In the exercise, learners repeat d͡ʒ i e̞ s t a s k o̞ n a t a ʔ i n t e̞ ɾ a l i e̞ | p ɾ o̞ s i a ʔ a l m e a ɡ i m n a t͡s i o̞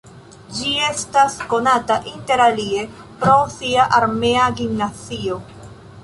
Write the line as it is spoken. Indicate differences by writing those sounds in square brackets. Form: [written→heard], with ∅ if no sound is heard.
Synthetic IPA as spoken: d͡ʒ i e̞ s t a s k o̞ n a t a ʔ i n t e̞ ɾ a l i e̞ | p ɾ o̞ s i a ʔ a [l→ɾ] m e a ɡ i m n a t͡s i o̞